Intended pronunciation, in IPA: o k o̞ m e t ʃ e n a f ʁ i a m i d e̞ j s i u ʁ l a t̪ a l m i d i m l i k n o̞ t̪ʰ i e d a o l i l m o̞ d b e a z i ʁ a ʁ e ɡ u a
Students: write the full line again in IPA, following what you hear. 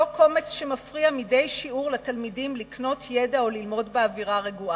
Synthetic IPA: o k o̞ m e t͡s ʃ e m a f ʁ i a m i d e̞ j ʃ i u ʁ l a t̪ a l m i d i m l i k n o̞ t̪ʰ j e d a o l i l m o̞ d b e a v i ʁ a ʁ e ɡ u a